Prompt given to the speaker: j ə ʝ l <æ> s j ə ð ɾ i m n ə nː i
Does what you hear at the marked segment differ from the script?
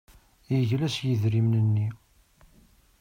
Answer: no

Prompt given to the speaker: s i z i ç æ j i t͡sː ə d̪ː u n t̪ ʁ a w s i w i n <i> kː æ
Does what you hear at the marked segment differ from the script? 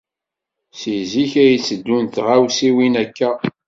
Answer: yes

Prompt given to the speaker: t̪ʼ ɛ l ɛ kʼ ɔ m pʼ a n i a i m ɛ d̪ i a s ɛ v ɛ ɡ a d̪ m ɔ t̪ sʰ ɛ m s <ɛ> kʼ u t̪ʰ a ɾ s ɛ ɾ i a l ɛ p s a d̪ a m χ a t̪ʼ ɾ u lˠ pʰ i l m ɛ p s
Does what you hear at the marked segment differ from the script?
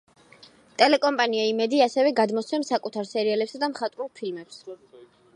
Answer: yes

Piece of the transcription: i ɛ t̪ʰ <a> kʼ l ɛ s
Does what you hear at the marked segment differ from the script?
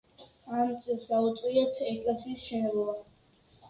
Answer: yes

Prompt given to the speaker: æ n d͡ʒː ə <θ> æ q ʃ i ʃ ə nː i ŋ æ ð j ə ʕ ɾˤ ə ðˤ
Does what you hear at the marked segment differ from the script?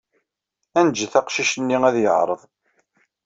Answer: no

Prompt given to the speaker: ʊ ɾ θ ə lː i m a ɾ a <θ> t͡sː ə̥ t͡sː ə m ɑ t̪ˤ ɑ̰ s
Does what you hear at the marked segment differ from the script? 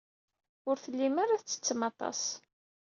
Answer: no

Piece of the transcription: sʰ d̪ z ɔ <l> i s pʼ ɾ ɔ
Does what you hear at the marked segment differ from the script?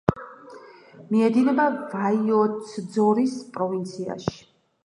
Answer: yes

